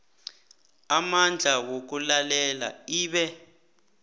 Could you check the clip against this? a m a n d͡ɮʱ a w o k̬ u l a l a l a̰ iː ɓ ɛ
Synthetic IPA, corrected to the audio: a m a n d͡ɮʱ a w o k̬ u l a l ɛ l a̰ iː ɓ ɛ